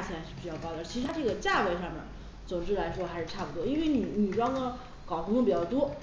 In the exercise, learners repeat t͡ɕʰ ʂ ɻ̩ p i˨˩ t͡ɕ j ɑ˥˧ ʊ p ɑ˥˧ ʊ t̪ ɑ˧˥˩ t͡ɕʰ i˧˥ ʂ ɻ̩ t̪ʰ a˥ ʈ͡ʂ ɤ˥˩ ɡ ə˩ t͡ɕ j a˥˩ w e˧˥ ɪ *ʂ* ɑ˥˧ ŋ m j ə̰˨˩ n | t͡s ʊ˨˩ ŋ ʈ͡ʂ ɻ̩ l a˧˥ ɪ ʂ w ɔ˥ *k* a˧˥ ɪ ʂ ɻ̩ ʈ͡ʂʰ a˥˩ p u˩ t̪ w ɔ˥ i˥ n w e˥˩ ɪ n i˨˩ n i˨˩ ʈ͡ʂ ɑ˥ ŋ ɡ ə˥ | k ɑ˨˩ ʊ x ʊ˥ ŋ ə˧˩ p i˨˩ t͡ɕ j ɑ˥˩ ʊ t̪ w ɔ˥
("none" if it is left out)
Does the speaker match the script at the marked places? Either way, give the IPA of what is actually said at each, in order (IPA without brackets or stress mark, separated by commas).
ʂ, x